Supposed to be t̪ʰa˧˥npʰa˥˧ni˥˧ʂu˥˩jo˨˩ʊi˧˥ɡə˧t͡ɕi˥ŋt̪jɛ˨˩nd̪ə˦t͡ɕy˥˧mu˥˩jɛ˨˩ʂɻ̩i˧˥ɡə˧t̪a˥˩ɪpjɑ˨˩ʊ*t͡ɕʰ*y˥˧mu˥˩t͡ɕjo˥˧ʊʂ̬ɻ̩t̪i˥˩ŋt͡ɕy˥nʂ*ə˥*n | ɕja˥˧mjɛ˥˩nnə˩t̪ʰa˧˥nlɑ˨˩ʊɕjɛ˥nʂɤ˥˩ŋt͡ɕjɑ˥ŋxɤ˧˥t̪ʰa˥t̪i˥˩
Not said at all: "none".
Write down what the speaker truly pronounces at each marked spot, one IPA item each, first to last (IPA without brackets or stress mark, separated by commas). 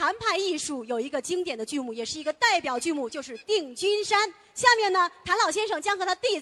t͡ɕ, a˥